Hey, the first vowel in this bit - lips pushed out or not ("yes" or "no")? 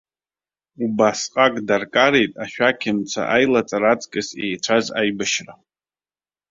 yes